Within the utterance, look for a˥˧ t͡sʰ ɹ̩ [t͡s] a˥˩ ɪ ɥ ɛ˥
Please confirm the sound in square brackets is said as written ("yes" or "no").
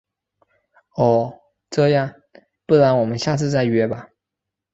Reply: yes